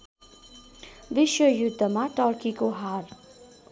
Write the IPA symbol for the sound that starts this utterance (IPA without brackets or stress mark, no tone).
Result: ʋ